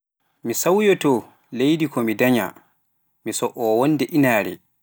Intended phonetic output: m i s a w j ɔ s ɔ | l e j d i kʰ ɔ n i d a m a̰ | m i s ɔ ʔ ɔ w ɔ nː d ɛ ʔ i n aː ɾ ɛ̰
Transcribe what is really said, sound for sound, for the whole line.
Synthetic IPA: m i s a w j ɔ t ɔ | l e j d i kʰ ɔ m i d a ɲ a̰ | m i s ɔ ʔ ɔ w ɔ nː d ɛ ʔ i n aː ɾ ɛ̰